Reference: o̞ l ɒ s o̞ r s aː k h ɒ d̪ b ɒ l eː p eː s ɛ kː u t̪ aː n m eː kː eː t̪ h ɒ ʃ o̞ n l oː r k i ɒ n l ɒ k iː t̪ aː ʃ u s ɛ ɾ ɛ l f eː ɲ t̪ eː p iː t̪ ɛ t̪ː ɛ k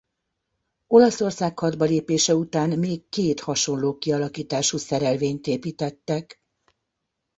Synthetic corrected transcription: o̞ l ɒ s o̞ r s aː k h ɒ d̪ b ɒ l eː p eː ʃ ɛ u t̪ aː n m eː kː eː t̪ h ɒ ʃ o̞ n l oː k i ɒ l ɒ k iː t̪ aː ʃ u s ɛ ɾ ɛ l v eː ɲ t̪ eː p iː t̪ ɛ t̪ː ɛ k